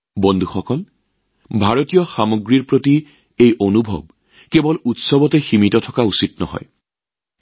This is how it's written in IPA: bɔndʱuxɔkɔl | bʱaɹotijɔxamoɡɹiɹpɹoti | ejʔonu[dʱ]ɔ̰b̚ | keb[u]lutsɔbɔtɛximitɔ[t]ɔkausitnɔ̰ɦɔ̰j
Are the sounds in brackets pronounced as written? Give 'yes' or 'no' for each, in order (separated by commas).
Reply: no, no, no